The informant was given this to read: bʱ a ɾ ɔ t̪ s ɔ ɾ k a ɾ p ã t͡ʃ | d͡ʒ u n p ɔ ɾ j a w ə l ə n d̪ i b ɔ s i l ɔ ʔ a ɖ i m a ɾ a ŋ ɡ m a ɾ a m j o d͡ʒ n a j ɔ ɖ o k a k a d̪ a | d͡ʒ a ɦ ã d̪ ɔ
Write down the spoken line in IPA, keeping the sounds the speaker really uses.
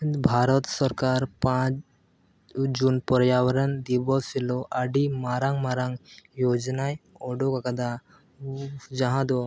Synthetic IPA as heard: bʱ a ɾ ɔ t̪ s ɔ ɾ k a ɾ p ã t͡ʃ | d͡ʒ u n p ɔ ɾ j a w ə ɾ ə n d̪ i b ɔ s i l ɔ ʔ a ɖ i m a ɾ a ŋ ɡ m a ɾ a ŋ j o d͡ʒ n a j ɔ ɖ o k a k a d̪ a | d͡ʒ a ɦ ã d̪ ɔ